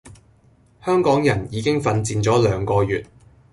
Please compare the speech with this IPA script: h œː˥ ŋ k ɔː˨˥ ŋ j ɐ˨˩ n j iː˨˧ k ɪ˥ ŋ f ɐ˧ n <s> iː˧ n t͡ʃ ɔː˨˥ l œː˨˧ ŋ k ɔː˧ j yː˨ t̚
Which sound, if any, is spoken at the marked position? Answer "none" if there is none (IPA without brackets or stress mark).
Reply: t͡s